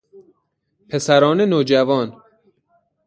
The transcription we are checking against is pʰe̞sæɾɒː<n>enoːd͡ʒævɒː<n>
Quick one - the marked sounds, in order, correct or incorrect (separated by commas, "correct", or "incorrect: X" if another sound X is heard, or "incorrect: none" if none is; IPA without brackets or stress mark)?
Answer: correct, correct